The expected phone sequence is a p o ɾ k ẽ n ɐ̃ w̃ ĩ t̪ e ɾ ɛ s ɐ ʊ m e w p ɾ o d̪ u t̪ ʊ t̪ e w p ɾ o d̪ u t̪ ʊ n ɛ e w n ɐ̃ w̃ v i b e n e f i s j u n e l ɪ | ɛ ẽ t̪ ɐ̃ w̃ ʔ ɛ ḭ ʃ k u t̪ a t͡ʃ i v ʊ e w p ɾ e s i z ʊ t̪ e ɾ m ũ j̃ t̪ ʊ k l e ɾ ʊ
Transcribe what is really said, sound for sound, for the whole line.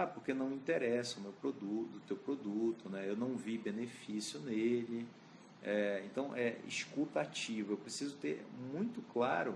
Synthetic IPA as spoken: a p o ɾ k e n ɐ̃ w̃ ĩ t̪ e ɾ ɛ s ɐ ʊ m e w p ɾ o d̪ u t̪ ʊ t̪ e w p ɾ o d̪ u t̪ ʊ n ɛ e w n ɐ̃ w̃ v i b e n e f i s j ʊ n e l ɪ | ɛ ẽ t̪ ɐ̃ w̃ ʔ ɛ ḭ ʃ k u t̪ a t͡ʃ i v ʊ e w p ɾ e s i z ʊ t̪ e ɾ m ũ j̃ t̪ ʊ k l a ɾ ʊ